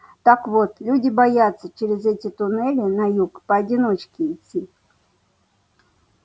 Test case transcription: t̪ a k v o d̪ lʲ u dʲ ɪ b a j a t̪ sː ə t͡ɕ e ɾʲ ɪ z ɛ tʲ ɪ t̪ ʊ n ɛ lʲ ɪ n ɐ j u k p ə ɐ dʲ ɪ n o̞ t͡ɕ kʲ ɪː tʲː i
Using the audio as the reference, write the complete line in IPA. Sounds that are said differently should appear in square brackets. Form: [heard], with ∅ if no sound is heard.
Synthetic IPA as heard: t̪ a k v o [t̪] lʲ u dʲ ɪ b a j a t̪ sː ə t͡ɕ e ɾʲ ɪ z ɛ tʲ ɪ t̪ ʊ n ɛ lʲ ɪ n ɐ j u k p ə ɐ dʲ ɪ n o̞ t͡ɕ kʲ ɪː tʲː i